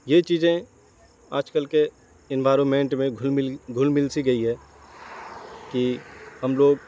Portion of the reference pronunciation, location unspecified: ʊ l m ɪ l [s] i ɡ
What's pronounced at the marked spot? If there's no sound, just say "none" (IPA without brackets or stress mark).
s